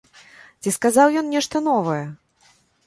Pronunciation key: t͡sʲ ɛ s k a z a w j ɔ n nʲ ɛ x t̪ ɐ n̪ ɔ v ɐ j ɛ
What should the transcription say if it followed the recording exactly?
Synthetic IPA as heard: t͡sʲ i s k a z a w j ɔ n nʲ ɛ ʂ t̪ ɐ n̪ ɔ v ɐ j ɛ